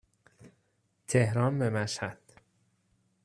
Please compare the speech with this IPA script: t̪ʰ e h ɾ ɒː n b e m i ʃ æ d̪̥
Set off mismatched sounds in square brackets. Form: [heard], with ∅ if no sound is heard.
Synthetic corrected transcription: t̪ʰ e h ɾ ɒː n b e m [æ] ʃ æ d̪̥

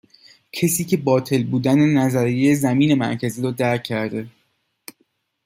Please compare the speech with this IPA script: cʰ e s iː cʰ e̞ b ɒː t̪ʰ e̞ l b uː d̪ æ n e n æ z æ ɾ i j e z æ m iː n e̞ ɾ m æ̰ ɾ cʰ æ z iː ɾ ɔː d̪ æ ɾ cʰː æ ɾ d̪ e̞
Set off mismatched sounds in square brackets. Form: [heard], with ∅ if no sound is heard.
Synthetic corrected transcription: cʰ e s iː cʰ e̞ b ɒː t̪ʰ e̞ l b uː d̪ æ n e n æ z æ ɾ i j e z æ m iː n e̞ [∅] m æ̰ ɾ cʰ æ z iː ɾ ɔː d̪ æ ɾ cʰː æ ɾ d̪ e̞

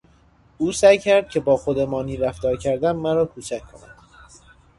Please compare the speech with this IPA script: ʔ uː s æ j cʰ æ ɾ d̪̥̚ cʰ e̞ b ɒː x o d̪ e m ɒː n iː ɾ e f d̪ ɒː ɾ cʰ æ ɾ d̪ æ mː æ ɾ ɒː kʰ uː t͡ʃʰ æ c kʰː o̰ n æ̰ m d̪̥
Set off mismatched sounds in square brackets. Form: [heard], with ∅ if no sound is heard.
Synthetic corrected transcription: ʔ uː s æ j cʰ æ ɾ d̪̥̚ cʰ e̞ b ɒː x o d̪ e m ɒː n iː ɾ [æ] f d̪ ɒː ɾ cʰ æ ɾ d̪ æ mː æ ɾ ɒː kʰ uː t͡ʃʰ æ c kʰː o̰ n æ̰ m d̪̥

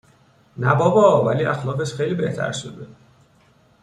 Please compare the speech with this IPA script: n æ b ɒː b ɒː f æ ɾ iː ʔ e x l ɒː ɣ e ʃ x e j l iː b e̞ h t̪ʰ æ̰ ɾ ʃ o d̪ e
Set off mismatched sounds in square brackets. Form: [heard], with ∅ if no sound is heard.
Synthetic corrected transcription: n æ b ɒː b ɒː [v] æ [l] iː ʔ [æ] x l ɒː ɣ e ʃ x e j l iː b e̞ h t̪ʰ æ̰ ɾ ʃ o d̪ e

